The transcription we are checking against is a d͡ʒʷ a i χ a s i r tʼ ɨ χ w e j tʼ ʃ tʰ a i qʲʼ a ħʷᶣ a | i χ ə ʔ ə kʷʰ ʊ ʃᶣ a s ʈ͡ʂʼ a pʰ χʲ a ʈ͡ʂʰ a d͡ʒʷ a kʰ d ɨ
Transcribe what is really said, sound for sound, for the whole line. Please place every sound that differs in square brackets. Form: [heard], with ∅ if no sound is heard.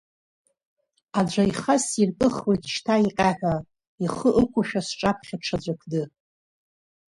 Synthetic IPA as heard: a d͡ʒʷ a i χ a s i r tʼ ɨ χ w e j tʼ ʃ tʰ a i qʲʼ a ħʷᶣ a | i χ ə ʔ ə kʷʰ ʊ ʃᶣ a s ʈ͡ʂʼ a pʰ χʲ a ʈ͡ʂʰ a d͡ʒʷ a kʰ d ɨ